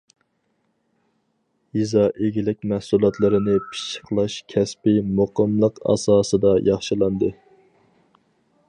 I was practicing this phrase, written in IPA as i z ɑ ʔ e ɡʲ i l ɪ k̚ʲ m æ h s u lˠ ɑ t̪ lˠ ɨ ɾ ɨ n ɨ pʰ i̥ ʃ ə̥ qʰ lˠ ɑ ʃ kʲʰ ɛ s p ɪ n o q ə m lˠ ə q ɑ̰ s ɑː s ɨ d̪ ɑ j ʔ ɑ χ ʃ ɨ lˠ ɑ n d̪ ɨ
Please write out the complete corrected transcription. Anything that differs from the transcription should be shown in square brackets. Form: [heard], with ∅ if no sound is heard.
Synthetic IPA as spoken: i z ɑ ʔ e ɡʲ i l ɪ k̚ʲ m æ h s u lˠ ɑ t̪ lˠ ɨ ɾ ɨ n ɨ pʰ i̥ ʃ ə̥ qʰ lˠ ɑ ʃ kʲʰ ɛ s p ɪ [m] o q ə m lˠ ə q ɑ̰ s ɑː s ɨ d̪ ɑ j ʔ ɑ χ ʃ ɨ lˠ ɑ n d̪ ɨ